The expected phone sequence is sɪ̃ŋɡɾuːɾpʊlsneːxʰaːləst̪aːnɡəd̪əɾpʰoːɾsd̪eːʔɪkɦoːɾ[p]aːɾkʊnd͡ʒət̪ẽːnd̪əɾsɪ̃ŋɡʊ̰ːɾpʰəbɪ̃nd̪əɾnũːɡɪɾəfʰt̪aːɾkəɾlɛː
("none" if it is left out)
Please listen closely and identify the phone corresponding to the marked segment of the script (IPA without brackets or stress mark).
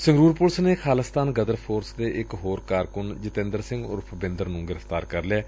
k